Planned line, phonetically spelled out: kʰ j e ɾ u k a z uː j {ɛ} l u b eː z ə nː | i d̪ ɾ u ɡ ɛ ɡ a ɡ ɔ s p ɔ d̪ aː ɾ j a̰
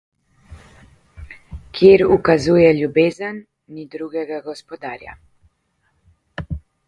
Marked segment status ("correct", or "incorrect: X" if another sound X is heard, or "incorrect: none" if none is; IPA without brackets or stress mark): correct